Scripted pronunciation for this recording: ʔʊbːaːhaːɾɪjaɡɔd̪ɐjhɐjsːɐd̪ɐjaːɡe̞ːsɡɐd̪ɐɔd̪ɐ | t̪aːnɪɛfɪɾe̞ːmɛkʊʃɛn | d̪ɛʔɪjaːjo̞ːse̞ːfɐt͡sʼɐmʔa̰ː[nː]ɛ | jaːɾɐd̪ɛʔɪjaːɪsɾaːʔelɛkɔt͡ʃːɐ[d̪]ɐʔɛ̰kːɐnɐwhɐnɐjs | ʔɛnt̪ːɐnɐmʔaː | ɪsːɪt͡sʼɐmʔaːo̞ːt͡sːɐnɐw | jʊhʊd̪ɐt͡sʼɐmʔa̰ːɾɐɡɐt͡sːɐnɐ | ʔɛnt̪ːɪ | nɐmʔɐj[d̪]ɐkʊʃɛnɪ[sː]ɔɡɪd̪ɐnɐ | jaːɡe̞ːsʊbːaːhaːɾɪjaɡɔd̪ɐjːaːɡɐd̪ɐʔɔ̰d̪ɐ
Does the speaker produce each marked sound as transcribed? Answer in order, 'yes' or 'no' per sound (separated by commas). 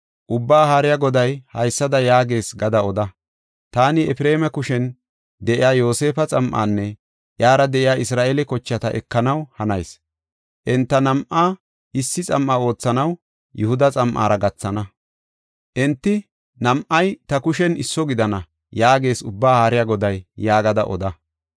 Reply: yes, no, no, yes